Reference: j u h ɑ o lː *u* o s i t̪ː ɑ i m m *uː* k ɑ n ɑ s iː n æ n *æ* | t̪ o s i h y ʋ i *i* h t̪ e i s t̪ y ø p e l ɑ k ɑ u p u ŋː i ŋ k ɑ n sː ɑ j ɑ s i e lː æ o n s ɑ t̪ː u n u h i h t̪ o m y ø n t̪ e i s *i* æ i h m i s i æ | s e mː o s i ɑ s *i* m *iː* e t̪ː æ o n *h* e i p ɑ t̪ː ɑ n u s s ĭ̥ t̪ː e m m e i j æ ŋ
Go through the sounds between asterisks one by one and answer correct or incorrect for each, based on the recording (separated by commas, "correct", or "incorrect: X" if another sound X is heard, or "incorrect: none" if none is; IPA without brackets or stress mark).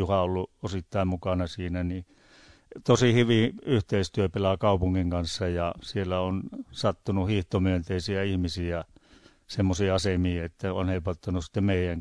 correct, incorrect: u, incorrect: i, incorrect: y, correct, incorrect: e, correct, correct